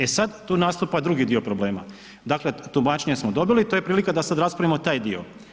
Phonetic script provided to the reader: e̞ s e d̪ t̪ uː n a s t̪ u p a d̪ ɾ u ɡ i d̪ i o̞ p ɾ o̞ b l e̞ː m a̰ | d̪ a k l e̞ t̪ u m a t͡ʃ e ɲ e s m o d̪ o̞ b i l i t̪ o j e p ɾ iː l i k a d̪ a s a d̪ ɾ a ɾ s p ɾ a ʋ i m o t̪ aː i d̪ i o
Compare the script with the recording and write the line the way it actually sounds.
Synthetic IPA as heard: e̞ s a d̪ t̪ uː n a s t̪ u p a d̪ ɾ u ɡ i d̪ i o̞ p ɾ o̞ b l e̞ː m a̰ | d̪ a k l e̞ t̪ u m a t͡ʃ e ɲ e s m o d̪ o̞ b i l i t̪ o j e p ɾ iː l i k a d̪ a s a d̪ ɾ a s p ɾ a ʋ i m o t̪ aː j d̪ i o